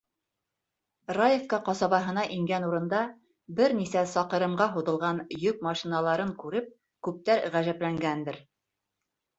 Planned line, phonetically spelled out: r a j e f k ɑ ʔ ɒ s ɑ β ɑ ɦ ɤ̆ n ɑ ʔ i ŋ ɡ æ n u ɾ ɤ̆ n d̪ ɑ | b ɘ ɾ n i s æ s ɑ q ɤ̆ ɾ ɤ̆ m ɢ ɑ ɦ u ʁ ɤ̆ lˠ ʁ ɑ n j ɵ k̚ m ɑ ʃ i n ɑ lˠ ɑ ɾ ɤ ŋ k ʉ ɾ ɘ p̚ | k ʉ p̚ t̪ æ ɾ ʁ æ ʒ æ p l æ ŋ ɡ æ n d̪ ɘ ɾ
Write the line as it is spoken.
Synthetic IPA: r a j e f k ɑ q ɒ s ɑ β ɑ ɦ ɤ̆ n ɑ ʔ i ŋ ɡ æ n u ɾ ɤ̆ n d̪ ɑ | b ɘ ɾ n i s æ s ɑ q ɤ̆ ɾ ɤ̆ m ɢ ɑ ɦ u ð ɤ̆ lˠ ʁ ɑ n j ɵ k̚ m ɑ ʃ i n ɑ lˠ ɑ ɾ ɤ ŋ k ʉ ɾ ɘ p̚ | k ʉ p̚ t̪ æ ɾ ʁ æ ʒ æ p l æ ŋ ɡ æ n d̪ ɘ ɾ